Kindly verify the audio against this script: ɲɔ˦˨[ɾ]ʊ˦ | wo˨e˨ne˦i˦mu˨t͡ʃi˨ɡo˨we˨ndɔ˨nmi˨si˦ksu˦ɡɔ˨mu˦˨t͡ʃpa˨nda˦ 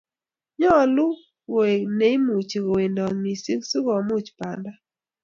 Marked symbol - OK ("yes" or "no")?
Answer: no